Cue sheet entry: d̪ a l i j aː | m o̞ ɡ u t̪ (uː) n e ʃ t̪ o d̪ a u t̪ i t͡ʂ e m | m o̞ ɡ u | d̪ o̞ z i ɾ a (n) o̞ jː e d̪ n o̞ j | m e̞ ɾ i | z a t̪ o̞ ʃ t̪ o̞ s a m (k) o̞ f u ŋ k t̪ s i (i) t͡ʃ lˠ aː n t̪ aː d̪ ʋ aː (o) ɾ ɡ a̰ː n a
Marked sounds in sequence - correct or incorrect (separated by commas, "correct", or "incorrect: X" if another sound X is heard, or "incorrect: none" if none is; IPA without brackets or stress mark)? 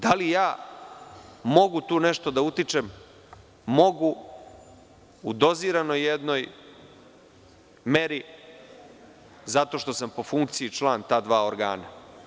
correct, correct, incorrect: p, correct, correct